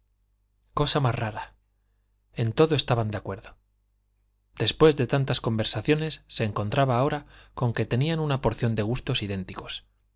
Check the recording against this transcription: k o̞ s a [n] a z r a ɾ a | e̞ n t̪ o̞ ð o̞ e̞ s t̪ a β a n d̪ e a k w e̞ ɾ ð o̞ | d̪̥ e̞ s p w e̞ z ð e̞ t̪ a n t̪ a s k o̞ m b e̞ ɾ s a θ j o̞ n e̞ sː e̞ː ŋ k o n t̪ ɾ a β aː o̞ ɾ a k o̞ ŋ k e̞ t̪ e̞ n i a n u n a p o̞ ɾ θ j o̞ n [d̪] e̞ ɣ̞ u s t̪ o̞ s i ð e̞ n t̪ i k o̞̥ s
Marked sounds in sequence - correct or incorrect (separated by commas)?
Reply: incorrect, correct